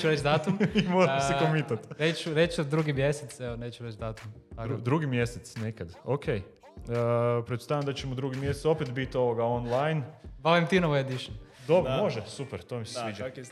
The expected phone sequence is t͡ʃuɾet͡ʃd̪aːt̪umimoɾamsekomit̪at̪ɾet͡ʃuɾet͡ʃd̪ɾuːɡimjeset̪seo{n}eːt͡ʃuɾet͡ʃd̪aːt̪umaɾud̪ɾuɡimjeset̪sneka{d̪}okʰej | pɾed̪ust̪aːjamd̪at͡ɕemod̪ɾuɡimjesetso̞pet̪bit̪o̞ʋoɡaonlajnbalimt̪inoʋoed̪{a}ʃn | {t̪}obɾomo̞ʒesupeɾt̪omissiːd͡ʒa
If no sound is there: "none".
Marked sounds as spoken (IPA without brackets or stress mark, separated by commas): n, d̪, i, d̪